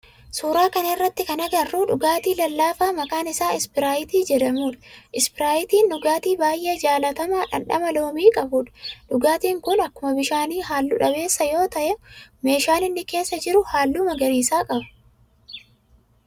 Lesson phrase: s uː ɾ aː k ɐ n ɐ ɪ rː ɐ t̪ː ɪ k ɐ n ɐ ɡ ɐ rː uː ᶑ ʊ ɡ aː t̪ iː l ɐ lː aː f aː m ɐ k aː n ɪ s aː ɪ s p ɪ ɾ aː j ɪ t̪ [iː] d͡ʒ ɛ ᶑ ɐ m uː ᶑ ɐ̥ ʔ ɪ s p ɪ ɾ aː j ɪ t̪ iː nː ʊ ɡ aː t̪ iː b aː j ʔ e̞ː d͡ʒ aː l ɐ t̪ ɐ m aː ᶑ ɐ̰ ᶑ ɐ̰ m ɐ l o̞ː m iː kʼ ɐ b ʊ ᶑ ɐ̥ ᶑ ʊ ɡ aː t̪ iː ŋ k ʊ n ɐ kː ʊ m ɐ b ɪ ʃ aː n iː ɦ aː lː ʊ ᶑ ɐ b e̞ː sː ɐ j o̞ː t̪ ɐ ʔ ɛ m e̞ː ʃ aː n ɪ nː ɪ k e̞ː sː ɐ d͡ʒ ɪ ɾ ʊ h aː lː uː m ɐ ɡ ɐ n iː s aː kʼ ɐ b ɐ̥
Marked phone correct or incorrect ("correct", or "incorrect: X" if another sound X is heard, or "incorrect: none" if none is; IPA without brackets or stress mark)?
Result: correct